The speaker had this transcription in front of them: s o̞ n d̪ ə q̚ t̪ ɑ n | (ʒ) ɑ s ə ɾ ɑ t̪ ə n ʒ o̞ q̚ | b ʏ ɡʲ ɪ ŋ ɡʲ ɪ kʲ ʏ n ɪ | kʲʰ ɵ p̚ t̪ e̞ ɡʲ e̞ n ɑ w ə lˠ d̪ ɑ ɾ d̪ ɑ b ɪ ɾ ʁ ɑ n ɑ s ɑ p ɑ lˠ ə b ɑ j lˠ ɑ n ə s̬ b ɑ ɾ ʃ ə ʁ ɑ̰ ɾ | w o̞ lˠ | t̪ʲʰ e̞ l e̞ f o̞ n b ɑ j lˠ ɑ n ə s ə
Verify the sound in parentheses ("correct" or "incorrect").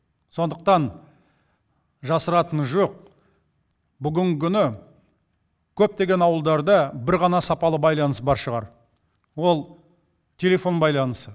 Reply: correct